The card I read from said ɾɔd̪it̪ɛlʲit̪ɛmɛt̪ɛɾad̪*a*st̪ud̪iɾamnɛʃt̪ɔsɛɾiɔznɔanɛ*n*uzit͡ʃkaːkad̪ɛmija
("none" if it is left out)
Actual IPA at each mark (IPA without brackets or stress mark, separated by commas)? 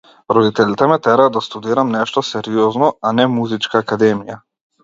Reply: a, m